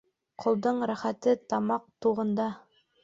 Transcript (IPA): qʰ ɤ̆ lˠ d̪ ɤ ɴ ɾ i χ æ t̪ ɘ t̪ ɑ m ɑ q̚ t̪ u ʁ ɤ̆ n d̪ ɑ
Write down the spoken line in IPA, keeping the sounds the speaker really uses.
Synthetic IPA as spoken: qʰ ŏ lˠ d̪ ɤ ɴ ɾ æ χ æ t̪ ɘ t̪ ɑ m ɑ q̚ t̪ u ʁ ɤ̆ n d̪ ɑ